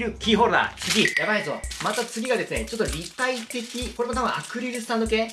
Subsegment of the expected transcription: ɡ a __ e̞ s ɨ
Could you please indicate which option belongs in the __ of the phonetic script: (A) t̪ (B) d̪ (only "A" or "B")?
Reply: B